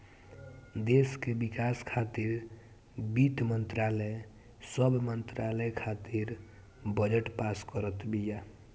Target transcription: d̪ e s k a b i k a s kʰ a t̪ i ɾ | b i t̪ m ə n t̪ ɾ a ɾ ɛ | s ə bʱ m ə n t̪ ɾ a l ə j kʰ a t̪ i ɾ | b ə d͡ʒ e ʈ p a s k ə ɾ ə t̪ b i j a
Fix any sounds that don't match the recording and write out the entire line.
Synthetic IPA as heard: d̪ e s k e b i k a s kʰ a t̪ i ɾ | b i t̪ m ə n t̪ ɾ a l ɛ | s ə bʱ m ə n t̪ ɾ a l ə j kʰ a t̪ i ɾ | b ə d͡ʒ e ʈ p a s k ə ɾ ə t̪ b i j a